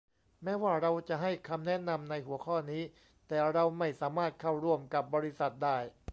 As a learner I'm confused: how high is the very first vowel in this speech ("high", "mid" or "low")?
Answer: mid